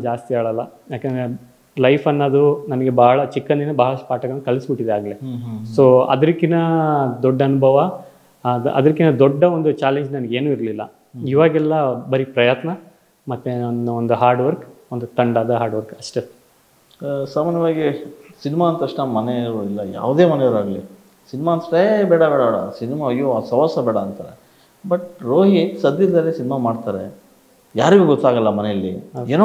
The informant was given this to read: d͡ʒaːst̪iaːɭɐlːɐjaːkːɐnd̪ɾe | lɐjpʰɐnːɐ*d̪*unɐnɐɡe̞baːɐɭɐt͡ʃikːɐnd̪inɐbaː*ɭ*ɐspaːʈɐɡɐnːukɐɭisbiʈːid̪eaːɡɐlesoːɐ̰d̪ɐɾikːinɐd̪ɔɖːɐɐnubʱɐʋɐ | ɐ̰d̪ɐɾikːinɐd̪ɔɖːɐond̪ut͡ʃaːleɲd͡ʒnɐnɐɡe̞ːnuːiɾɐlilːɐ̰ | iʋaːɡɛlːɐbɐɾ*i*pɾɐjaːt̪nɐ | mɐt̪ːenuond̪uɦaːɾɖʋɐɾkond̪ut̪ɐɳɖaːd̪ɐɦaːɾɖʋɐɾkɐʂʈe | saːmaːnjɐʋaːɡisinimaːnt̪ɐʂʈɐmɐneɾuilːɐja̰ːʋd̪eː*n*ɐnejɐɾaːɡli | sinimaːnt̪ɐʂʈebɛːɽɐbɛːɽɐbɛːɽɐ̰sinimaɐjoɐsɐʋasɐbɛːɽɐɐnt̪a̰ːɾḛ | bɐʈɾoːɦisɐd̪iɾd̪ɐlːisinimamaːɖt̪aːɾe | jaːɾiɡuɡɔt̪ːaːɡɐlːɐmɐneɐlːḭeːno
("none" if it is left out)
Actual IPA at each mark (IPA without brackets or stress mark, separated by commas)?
d̪, ɭ, i, m